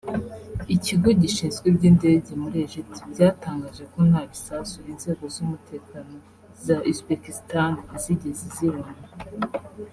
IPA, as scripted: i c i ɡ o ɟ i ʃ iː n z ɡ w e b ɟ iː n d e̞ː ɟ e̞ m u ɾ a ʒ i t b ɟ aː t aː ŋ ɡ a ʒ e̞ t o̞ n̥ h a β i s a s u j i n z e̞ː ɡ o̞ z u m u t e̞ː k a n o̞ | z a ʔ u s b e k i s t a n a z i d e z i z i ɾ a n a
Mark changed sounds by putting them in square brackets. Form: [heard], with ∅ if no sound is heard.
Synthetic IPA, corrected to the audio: i c i ɡ o ɟ i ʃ iː n z ɡ w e b ɟ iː n d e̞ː ɟ e̞ m u ɾ [e] ʒ i t b ɟ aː t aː ŋ ɡ a ʒ e̞ [k] o̞ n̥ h a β i s a s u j i n z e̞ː ɡ o̞ z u m u t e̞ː k a n o̞ | z a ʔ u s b e k i s t a n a z i [ɟ] e z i z i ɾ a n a